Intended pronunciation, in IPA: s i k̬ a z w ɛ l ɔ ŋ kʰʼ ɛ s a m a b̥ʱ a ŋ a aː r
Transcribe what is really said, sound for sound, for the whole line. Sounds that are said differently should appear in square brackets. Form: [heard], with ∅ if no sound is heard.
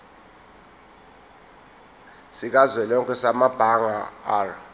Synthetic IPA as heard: s i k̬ a z w ɛ l ɔ ŋ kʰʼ ɛ s a m a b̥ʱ a ŋ a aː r